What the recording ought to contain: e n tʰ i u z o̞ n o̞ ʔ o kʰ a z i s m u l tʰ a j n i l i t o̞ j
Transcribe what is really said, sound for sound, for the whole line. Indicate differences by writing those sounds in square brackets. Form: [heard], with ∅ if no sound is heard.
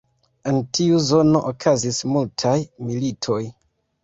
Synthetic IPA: e n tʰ i u z o̞ n o̞ ʔ o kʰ a z i s m u l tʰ a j [m] i l i [tʰ] o̞ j